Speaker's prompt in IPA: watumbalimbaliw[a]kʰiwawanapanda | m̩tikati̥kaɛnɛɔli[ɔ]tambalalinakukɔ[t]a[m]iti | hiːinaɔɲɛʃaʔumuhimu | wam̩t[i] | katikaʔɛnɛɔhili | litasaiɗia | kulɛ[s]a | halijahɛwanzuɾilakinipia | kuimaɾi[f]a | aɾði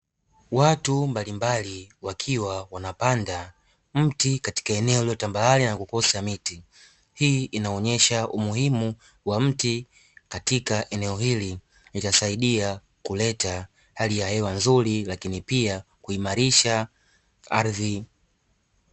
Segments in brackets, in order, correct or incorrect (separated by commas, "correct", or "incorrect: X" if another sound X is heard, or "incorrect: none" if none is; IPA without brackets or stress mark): correct, correct, incorrect: s, correct, correct, incorrect: t, incorrect: ʃ